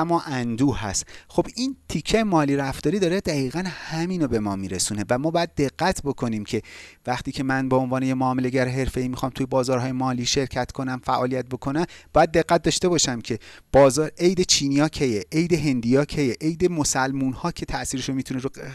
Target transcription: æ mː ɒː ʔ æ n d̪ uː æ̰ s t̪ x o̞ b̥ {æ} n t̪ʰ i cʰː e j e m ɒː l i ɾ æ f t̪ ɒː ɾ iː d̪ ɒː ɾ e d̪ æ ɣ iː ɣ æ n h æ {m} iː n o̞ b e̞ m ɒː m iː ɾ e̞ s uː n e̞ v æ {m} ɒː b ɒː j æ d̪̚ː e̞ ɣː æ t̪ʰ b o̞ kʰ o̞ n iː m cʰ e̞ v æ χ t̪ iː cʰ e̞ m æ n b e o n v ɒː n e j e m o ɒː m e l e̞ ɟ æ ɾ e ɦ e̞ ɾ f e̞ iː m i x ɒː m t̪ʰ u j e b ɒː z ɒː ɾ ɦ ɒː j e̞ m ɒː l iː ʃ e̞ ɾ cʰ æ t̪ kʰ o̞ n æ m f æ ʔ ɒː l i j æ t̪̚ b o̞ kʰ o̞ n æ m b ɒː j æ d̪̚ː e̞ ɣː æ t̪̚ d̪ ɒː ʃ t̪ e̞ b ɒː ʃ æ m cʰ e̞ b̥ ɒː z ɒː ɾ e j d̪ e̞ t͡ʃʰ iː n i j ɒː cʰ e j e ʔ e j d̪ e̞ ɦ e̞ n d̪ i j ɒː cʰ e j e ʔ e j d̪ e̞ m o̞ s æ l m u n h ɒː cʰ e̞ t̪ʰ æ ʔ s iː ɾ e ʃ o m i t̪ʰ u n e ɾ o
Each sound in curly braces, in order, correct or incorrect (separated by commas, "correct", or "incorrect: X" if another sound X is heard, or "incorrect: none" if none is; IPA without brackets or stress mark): incorrect: i, correct, correct